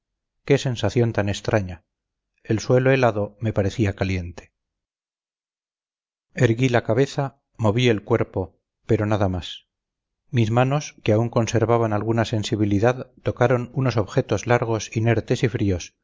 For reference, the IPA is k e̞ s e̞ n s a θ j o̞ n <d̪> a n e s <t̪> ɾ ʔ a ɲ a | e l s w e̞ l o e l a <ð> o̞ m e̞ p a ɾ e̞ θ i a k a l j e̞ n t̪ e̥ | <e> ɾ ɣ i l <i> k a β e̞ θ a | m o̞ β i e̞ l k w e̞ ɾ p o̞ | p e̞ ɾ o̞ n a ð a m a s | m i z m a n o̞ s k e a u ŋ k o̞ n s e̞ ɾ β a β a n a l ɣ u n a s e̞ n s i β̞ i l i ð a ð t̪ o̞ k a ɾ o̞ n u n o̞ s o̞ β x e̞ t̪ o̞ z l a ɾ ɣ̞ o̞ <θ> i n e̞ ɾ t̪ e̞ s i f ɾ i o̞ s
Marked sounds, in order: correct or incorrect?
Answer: incorrect: t̪, correct, correct, correct, incorrect: a, incorrect: s

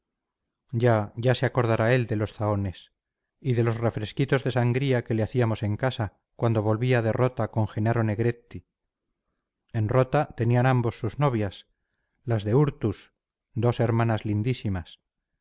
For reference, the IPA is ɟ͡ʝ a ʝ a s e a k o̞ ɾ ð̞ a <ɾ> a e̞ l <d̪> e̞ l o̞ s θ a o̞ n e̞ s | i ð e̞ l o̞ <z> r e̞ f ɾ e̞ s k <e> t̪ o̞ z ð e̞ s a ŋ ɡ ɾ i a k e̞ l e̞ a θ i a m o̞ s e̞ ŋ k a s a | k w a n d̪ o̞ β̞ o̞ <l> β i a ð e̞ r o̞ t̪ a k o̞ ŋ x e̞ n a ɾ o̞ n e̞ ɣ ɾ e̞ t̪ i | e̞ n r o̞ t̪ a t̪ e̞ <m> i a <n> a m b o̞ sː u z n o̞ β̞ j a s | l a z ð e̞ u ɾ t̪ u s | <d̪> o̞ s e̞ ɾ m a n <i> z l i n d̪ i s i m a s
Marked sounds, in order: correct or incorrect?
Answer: correct, correct, incorrect: s, incorrect: i, correct, incorrect: n, correct, correct, incorrect: a

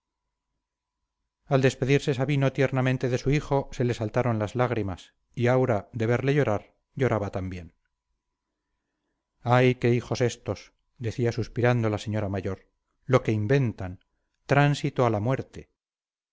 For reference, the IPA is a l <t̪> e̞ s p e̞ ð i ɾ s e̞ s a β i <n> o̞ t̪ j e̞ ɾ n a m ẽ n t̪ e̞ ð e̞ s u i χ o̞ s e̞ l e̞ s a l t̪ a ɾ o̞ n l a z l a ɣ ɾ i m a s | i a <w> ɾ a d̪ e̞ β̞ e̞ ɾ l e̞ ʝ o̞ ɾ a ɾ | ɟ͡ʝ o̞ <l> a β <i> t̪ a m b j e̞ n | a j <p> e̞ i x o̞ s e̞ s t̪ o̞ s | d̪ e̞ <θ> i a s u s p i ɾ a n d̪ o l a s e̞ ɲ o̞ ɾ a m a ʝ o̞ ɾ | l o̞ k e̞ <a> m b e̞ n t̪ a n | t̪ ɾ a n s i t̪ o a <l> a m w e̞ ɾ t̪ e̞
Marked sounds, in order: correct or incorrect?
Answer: incorrect: d̪, correct, correct, incorrect: ɾ, incorrect: a, incorrect: k, correct, incorrect: i, correct

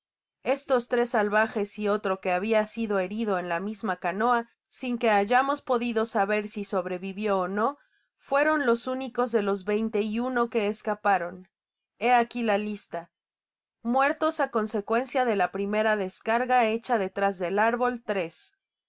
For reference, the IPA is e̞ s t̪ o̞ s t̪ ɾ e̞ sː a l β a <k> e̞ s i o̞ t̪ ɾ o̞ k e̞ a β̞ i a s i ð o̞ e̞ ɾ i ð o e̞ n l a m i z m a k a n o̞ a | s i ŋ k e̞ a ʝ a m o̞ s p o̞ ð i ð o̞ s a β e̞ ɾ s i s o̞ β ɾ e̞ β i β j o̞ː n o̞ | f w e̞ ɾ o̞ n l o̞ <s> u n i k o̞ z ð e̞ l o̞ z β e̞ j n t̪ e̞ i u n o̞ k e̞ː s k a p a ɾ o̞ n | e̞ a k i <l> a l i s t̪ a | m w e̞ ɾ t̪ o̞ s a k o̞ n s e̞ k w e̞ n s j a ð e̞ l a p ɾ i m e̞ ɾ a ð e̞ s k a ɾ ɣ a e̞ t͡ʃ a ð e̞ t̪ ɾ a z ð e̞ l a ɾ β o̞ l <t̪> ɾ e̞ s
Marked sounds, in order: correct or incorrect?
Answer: incorrect: x, correct, correct, correct

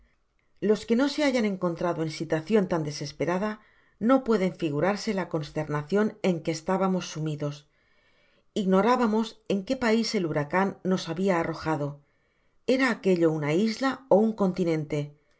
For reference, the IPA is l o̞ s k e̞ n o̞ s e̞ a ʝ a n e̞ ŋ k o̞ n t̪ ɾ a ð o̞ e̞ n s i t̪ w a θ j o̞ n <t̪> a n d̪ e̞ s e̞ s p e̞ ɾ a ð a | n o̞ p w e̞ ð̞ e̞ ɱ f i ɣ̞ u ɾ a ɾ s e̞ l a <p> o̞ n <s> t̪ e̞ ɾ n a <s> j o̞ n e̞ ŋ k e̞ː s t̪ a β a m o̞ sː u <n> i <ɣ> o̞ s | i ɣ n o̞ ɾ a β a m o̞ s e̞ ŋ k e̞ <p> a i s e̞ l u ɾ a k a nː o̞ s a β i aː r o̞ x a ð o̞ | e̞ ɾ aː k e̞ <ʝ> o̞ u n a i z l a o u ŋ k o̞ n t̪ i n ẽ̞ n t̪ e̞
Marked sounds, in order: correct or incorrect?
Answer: correct, incorrect: k, correct, incorrect: θ, incorrect: m, incorrect: ð, correct, incorrect: ʎ

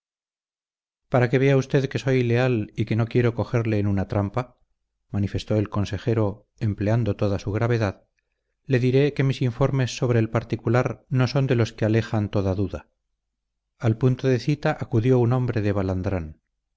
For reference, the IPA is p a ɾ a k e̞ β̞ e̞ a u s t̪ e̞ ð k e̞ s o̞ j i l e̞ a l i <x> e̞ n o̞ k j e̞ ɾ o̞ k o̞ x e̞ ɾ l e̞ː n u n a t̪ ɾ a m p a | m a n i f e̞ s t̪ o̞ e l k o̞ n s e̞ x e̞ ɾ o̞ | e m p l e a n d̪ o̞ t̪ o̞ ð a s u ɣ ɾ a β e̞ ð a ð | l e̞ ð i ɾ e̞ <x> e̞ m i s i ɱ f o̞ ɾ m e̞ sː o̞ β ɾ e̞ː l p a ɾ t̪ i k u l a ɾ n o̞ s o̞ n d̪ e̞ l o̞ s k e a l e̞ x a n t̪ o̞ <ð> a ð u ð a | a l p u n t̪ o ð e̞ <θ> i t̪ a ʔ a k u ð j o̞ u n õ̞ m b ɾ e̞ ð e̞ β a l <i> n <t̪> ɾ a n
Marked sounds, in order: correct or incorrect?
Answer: incorrect: k, incorrect: k, correct, correct, incorrect: a, incorrect: d̪

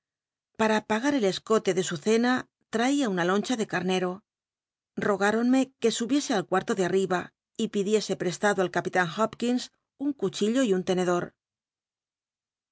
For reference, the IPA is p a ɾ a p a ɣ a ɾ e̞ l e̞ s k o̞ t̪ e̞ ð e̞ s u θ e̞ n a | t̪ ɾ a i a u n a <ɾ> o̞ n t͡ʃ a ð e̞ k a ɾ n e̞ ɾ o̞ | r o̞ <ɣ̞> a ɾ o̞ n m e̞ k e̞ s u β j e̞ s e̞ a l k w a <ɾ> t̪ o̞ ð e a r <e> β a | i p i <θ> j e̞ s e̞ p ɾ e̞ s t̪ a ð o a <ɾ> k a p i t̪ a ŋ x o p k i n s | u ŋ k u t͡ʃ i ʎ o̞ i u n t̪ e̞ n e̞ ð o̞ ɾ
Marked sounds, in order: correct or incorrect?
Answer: incorrect: l, correct, correct, incorrect: i, incorrect: ð, incorrect: l

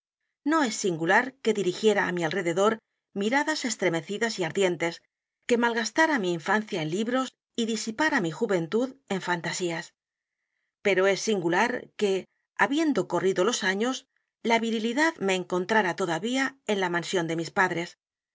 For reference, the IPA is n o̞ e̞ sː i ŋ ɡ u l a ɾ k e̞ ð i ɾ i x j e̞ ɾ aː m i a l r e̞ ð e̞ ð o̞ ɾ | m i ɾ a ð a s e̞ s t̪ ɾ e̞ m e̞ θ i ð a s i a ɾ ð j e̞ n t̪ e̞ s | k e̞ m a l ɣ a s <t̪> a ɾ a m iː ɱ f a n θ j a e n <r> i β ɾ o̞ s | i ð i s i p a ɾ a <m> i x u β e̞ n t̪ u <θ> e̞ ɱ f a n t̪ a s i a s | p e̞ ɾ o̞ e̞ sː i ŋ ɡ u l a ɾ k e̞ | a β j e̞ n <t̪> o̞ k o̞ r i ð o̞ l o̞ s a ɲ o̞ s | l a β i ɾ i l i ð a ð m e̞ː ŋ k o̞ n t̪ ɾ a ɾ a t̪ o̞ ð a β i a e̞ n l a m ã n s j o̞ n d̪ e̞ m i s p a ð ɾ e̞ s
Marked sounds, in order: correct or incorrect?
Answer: correct, incorrect: l, correct, incorrect: ð, incorrect: d̪

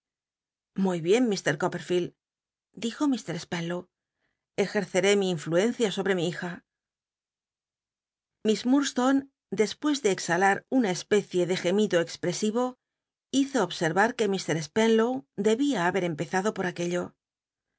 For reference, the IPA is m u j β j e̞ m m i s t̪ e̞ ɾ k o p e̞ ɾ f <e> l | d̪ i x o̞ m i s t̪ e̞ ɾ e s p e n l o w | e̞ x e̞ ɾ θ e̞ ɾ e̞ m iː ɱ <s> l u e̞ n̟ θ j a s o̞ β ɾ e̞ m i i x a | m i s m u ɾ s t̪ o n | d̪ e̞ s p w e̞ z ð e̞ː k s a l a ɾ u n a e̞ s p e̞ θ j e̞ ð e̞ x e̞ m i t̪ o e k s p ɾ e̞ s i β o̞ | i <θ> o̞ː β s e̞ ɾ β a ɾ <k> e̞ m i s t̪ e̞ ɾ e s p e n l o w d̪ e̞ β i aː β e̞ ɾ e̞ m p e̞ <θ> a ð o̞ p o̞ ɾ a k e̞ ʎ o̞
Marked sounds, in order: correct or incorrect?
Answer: incorrect: i, incorrect: f, correct, correct, correct

